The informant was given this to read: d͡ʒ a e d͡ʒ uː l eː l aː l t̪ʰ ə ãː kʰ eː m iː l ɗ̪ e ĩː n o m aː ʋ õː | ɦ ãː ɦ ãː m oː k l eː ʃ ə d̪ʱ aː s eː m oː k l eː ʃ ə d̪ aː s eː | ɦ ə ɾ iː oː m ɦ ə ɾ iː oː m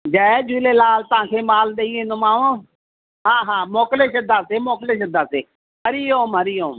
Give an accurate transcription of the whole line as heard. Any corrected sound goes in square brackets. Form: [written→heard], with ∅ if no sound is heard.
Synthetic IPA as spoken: d͡ʒ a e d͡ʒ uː l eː l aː l [t̪ʰ→t̪] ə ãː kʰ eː m [iː→aː] l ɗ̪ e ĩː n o m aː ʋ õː | ɦ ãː ɦ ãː m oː k l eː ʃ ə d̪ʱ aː s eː m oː k l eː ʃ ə d̪ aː s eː | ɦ ə ɾ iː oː m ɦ ə ɾ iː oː m